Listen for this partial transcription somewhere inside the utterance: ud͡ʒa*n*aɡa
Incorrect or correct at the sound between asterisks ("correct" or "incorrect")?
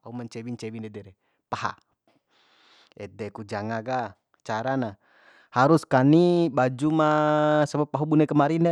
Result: incorrect